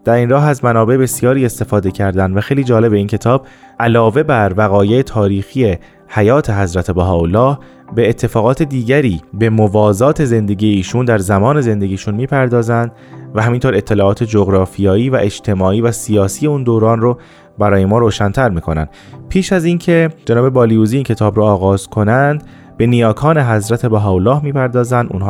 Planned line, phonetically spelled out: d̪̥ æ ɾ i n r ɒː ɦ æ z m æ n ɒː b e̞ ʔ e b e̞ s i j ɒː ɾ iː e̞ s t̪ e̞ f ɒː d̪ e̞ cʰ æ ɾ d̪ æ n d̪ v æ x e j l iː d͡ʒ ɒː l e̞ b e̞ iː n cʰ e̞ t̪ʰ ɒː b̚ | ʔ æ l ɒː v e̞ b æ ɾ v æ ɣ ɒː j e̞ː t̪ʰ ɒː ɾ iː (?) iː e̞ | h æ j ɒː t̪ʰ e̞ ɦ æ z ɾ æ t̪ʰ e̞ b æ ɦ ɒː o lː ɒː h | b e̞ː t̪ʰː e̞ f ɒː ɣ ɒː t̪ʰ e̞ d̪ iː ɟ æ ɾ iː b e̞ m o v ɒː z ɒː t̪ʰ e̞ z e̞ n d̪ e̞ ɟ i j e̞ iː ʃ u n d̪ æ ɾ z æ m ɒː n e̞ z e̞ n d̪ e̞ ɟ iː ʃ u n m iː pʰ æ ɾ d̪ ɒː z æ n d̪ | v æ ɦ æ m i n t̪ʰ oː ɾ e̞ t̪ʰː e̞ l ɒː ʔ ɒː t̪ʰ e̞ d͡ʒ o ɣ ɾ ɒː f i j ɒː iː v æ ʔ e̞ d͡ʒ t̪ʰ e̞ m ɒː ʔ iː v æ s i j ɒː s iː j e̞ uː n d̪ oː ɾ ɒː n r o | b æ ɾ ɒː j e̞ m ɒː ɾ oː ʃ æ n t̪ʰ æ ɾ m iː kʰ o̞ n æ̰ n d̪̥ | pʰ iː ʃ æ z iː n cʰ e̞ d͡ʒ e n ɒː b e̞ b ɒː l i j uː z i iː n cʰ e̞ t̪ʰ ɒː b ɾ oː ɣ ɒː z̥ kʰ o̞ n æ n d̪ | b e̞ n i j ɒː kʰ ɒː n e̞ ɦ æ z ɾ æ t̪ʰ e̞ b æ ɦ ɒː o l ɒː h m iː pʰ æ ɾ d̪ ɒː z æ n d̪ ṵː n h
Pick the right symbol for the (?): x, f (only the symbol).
x